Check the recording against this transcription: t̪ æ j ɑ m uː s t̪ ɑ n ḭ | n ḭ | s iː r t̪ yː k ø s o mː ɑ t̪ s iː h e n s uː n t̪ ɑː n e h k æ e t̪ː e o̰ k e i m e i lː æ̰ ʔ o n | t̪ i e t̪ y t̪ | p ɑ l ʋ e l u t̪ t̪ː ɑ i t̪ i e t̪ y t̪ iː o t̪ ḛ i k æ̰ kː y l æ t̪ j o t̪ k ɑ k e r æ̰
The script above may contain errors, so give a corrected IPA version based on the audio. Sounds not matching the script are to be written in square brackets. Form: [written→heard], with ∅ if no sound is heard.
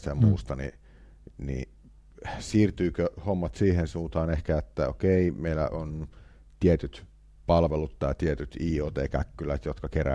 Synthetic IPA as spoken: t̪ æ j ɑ m uː s t̪ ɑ n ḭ | n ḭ | s iː r t̪ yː k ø [s→h] o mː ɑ t̪ s iː h e n s uː n t̪ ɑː n e h k æ e t̪ː [e→æ] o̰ k e i m e i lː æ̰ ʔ o n | t̪ i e t̪ y t̪ | p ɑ l ʋ e l u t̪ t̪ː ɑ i t̪ i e t̪ y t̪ iː o t̪ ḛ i k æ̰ kː y l æ t̪ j o t̪ k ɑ k e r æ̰